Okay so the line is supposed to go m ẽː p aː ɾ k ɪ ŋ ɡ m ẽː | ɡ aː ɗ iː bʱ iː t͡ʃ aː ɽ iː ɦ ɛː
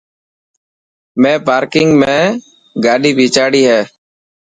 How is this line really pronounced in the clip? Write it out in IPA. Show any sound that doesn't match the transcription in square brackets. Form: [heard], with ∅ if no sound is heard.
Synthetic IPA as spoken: m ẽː p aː ɾ k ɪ ŋ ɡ m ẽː | ɡ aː ɗ iː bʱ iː t͡ʃ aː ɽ iː ɦ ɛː

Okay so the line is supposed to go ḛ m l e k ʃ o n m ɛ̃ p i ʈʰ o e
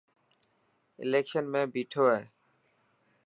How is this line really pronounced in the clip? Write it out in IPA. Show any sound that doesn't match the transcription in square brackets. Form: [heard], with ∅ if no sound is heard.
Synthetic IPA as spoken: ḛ [∅] l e k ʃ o n m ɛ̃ [b] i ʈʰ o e

